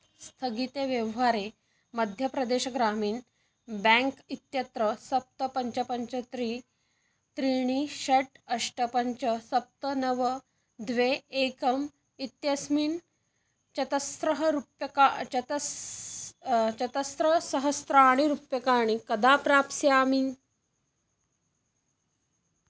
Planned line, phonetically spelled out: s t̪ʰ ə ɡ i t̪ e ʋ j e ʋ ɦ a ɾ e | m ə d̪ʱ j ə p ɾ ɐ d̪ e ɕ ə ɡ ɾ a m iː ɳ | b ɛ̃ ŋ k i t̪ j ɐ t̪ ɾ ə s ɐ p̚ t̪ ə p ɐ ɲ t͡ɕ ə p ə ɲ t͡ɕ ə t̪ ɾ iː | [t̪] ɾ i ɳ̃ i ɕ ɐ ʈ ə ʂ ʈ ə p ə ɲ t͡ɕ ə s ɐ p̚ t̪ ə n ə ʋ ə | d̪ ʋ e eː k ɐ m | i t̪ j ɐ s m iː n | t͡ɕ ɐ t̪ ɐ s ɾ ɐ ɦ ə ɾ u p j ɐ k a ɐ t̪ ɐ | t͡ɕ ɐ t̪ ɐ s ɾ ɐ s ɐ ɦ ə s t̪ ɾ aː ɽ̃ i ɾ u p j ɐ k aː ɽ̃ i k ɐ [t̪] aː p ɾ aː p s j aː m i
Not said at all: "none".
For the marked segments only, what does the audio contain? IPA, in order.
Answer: t̪, d̪

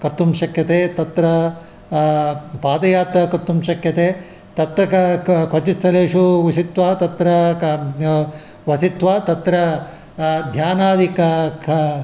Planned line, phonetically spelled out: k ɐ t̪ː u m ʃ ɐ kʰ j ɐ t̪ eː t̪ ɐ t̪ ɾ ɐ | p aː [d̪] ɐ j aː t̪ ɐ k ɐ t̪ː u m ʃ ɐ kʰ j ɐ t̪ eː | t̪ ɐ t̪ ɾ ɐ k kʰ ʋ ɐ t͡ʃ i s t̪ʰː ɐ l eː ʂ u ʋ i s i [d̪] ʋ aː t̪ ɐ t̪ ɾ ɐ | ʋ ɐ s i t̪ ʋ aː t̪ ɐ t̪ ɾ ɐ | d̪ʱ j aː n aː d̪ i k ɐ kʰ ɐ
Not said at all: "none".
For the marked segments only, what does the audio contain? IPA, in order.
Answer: d̪, t̪

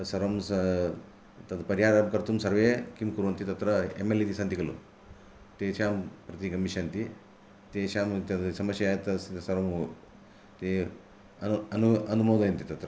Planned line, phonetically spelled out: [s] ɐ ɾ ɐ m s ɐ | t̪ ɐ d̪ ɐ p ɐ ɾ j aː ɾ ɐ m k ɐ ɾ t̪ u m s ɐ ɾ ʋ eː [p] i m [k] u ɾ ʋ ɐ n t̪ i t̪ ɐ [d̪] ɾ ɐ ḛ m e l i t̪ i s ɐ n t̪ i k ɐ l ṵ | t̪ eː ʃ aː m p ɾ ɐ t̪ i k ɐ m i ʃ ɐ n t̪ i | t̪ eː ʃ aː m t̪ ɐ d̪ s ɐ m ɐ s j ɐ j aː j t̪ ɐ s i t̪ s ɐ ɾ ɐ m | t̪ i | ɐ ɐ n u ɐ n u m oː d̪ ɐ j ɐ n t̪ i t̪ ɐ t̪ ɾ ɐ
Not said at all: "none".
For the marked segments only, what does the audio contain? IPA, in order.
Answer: s, k, k, t̪

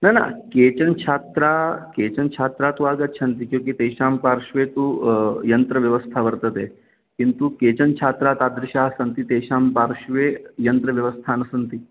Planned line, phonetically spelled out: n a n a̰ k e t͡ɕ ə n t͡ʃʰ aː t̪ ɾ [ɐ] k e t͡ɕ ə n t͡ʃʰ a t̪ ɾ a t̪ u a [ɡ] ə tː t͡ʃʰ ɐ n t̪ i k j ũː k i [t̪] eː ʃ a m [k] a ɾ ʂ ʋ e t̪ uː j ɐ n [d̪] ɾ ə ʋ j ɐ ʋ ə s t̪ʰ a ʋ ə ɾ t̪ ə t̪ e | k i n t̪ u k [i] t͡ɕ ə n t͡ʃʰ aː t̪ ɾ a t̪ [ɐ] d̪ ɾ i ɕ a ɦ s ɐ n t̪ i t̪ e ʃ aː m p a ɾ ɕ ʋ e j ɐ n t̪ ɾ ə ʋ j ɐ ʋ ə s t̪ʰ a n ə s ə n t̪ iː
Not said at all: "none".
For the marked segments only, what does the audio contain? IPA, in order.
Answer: a, ɡ, t̪, p, t̪, e, a

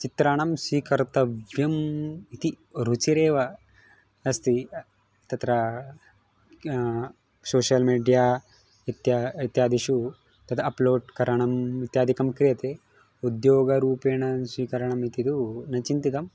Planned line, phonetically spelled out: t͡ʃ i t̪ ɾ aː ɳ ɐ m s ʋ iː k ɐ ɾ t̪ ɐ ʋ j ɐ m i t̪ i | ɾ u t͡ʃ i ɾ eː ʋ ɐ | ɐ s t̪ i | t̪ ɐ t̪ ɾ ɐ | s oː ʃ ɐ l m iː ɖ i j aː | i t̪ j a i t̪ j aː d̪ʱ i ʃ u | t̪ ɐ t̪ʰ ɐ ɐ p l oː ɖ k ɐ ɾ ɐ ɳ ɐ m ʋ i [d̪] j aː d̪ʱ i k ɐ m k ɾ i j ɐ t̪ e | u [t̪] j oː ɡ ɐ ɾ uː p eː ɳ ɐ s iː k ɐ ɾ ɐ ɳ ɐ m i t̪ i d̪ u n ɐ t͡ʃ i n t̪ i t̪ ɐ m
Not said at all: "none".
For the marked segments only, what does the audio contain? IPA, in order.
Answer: t̪, d̪

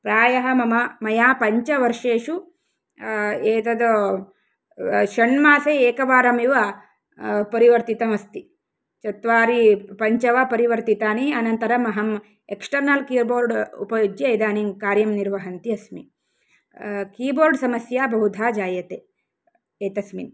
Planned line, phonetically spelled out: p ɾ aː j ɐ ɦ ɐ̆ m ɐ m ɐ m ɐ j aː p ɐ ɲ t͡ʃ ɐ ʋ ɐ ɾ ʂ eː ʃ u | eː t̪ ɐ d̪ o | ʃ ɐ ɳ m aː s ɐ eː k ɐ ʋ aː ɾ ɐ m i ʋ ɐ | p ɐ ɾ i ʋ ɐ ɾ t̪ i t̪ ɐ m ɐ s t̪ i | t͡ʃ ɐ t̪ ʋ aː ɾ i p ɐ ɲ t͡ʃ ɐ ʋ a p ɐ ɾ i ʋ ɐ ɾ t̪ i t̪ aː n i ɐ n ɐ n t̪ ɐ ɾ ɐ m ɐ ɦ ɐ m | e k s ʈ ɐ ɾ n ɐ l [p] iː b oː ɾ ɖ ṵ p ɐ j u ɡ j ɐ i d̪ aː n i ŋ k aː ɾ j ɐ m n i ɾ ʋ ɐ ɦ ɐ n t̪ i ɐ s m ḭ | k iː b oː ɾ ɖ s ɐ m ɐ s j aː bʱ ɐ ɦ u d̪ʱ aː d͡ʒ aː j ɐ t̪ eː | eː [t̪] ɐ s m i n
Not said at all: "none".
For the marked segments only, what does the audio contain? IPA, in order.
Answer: k, t̪

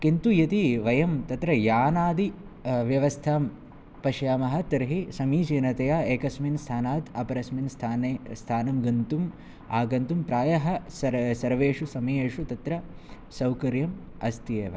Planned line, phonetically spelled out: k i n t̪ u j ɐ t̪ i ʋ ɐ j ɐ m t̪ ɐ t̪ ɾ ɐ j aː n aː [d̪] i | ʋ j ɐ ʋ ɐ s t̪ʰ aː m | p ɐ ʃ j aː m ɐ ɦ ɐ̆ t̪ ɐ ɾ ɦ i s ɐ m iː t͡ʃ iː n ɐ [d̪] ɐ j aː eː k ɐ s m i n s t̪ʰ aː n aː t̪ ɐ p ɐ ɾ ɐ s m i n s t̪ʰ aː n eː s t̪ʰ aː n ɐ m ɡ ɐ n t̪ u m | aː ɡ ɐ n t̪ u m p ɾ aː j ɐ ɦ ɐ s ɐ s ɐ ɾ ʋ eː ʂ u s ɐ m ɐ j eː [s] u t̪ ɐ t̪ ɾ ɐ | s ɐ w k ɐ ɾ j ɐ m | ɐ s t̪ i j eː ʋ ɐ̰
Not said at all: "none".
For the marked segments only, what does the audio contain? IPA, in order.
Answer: d̪, t̪, ʂ

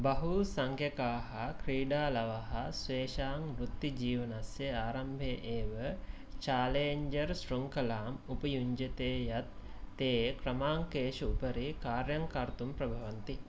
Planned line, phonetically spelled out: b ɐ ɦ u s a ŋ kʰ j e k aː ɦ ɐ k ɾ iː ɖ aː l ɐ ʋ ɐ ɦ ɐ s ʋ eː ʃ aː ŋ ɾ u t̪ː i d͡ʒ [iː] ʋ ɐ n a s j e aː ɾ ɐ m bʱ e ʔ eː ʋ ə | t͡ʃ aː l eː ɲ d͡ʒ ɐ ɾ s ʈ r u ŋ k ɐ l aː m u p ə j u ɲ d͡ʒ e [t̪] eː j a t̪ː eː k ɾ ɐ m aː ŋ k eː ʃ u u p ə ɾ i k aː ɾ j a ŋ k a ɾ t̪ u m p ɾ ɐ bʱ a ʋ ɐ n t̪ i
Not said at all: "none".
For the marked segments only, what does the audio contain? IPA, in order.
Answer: iː, t̪

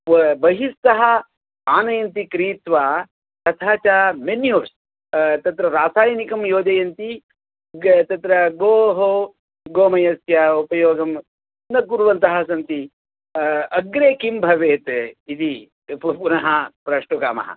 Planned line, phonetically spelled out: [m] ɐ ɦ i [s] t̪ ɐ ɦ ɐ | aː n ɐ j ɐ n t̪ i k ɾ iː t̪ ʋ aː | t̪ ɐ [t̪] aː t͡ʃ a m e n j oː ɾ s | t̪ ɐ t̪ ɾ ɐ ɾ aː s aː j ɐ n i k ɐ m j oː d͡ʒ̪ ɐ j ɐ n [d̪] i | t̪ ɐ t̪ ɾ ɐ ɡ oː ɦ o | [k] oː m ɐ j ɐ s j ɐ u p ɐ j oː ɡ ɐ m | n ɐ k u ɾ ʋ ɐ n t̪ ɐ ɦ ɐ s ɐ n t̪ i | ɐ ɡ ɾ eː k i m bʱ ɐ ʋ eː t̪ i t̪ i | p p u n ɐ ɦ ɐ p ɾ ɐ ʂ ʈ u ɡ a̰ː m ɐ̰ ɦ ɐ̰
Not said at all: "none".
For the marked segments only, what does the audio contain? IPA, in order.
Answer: b, s, t̪ʰ, t̪, ɡ

